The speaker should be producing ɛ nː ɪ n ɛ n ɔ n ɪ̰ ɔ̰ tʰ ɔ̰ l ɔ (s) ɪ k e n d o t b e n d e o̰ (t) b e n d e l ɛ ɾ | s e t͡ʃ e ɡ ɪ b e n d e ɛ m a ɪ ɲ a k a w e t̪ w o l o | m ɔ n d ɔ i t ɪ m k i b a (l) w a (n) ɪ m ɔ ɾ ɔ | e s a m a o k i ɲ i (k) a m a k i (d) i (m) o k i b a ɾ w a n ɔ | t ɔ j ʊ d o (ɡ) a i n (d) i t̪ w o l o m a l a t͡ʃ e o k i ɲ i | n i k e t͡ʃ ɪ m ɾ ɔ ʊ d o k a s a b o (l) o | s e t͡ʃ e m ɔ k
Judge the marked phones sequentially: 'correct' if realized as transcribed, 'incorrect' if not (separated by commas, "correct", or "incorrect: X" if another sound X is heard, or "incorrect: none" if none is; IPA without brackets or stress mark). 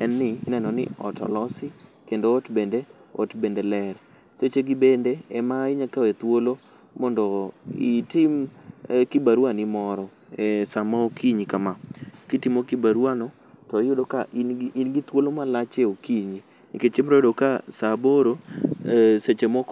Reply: correct, correct, incorrect: ɾ, correct, correct, incorrect: t, correct, incorrect: k, incorrect: ɡ, incorrect: ɾ